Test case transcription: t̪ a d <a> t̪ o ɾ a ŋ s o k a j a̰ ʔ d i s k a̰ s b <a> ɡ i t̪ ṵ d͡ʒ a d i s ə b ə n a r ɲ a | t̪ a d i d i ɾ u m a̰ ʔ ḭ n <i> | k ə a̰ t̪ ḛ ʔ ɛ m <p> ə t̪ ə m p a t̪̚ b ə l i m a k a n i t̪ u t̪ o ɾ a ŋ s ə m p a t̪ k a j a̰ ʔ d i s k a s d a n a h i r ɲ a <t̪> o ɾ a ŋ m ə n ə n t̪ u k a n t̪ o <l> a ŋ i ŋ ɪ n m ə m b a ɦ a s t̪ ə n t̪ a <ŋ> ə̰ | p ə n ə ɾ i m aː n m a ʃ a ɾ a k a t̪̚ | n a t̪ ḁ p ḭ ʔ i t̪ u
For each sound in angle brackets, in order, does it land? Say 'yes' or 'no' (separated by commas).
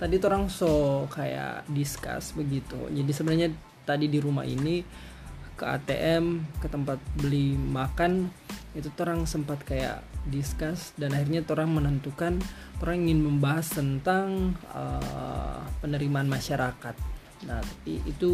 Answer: no, no, yes, no, yes, no, yes